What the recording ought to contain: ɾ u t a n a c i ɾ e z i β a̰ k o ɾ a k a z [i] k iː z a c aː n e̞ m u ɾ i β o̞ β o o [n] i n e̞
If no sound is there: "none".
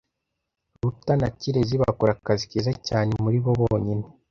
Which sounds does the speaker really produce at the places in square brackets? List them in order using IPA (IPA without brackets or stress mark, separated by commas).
i, ɲ